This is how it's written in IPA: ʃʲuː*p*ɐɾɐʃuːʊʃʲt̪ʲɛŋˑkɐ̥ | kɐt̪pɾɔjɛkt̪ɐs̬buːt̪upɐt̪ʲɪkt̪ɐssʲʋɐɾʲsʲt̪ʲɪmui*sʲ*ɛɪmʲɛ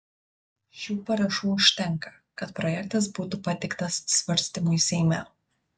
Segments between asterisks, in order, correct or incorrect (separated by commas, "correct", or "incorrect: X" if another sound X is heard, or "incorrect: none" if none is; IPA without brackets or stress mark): correct, correct